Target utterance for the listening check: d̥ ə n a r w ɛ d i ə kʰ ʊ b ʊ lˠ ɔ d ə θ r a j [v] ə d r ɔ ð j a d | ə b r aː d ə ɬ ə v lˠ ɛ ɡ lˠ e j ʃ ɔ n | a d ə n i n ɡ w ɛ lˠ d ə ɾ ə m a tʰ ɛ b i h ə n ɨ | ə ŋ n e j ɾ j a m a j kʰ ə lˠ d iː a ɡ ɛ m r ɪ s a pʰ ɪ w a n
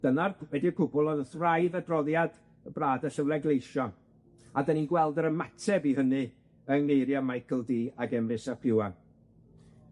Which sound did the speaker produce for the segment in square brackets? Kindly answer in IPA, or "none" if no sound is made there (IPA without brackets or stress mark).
ð